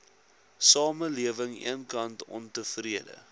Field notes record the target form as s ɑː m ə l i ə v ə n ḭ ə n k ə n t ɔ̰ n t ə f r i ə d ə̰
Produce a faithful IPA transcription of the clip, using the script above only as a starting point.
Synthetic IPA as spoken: s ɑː m ə l i ə v ə ŋ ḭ ə n k ɐ n t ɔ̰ n t ə f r i ə d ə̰